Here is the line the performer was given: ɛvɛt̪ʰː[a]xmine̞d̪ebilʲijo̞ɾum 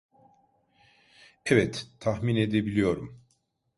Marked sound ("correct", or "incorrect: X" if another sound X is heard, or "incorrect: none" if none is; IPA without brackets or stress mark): correct